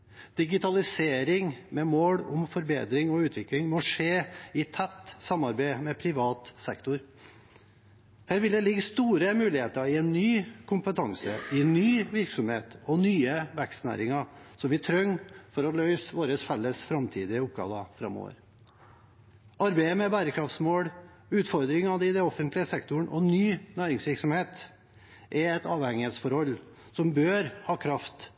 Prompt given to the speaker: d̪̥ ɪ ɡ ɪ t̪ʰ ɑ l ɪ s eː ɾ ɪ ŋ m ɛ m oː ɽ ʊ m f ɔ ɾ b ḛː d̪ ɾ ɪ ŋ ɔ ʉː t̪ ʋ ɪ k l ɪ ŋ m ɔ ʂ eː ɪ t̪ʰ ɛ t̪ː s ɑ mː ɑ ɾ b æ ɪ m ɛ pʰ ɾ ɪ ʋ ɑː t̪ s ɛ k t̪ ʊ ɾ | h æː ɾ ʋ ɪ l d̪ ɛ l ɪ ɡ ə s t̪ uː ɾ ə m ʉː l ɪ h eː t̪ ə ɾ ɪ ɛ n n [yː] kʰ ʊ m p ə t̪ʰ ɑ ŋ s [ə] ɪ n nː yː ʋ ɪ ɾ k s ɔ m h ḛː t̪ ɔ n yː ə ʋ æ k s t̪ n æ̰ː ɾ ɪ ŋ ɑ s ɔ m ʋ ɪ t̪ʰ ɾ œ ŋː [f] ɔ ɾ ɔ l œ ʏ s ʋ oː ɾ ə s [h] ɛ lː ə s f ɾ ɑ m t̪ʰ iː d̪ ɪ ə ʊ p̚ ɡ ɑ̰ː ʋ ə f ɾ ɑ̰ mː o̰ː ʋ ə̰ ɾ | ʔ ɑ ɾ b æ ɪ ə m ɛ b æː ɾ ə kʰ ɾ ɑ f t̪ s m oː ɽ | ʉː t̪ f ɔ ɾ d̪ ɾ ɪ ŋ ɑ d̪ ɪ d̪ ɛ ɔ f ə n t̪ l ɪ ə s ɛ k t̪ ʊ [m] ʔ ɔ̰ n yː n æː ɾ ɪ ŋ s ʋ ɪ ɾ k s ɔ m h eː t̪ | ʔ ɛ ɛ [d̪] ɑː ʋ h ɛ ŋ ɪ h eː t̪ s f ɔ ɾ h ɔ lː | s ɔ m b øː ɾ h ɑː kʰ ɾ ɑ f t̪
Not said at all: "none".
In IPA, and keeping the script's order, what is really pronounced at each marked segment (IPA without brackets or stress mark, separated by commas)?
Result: yː, ə, f, f, ɳ, t̪